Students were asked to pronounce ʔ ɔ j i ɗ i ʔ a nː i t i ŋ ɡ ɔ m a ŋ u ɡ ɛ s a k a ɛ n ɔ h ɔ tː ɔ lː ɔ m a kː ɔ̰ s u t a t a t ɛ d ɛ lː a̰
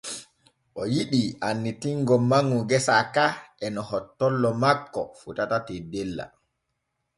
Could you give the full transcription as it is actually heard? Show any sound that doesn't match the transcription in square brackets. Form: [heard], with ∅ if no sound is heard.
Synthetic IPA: ʔ ɔ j i ɗ i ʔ a nː i t i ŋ ɡ ɔ m a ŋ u ɡ ɛ s a k a ɛ n ɔ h ɔ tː ɔ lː ɔ m a kː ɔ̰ [f] u t a t a t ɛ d ɛ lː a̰

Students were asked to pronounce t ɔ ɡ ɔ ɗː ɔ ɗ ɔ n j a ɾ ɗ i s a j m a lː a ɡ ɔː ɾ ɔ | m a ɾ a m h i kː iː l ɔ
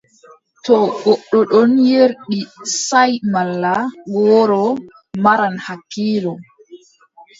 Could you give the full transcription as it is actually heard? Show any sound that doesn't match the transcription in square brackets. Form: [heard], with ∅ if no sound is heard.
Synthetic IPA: t ɔ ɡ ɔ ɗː ɔ ɗ ɔ n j [e] ɾ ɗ i s a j m a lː a ɡ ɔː ɾ ɔ | m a ɾ a [n] h [a] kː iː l ɔ

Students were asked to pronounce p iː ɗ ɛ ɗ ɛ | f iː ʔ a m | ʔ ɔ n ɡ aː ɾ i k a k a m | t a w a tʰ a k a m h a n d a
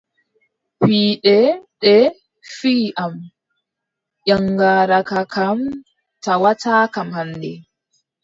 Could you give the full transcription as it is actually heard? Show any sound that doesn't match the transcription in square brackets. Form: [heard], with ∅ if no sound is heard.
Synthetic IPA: p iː ɗ ɛ ɗ ɛ | f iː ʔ a m | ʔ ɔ [ŋ] ɡ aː ɾ [a] k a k a m | t a w a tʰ a k a m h a n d [ɛ]

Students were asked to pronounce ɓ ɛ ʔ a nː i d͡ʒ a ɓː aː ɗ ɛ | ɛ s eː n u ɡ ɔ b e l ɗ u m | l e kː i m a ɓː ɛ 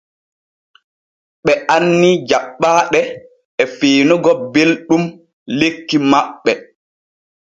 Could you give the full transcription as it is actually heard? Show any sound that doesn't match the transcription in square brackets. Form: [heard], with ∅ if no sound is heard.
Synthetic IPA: ɓ ɛ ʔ a nː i d͡ʒ a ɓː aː ɗ ɛ | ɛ [f] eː n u ɡ ɔ b e l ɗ u m | l e kː i m a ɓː ɛ

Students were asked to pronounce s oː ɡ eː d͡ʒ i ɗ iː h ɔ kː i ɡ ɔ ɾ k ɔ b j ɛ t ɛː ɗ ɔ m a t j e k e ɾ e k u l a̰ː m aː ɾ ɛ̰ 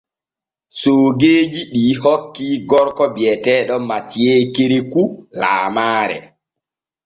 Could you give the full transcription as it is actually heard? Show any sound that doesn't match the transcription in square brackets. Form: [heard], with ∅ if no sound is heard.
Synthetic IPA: s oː ɡ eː d͡ʒ i ɗ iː h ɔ kː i ɡ ɔ ɾ k ɔ b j ɛ t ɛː ɗ ɔ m a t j e k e ɾ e k u l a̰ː m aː ɾ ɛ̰

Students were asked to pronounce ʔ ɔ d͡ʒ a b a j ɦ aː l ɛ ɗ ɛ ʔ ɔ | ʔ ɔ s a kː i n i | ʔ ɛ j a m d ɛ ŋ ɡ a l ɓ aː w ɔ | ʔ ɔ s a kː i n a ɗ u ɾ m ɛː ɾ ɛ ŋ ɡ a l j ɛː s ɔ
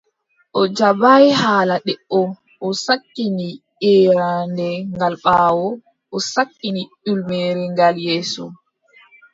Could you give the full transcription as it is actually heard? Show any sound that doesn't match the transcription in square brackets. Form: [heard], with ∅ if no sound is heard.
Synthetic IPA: ʔ ɔ d͡ʒ a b a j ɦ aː l [a] ɗ ɛ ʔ ɔ | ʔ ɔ s a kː i n i | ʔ ɛ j a [n] d ɛ ŋ ɡ a l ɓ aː w ɔ | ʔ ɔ s a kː i n [i] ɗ u [l] m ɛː ɾ ɛ ŋ ɡ a l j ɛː s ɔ

